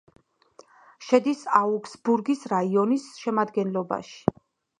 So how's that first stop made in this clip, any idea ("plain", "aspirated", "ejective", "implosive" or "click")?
plain